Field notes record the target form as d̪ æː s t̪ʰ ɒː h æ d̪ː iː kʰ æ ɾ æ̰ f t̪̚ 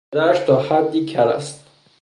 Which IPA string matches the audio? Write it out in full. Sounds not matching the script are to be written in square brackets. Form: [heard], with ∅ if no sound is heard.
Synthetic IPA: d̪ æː [ʃ] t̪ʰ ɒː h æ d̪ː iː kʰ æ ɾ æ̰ [s] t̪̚